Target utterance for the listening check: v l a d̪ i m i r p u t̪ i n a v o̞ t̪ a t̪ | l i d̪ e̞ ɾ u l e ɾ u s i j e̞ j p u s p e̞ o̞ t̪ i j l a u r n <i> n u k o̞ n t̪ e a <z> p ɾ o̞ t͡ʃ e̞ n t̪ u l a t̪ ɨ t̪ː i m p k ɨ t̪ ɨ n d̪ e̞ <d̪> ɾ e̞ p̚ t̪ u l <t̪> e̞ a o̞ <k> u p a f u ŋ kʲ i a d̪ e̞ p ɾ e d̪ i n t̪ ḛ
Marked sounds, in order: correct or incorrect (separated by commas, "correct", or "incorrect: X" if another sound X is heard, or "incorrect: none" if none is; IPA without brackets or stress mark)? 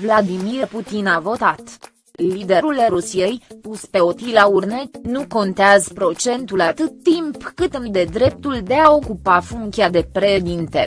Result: incorrect: e, correct, correct, incorrect: d̪, correct